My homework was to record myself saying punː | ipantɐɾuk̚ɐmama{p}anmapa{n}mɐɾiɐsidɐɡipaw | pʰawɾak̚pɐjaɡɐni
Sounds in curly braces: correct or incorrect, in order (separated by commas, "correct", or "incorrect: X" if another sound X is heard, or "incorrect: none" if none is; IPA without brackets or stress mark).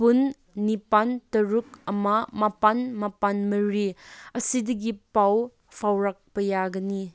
correct, correct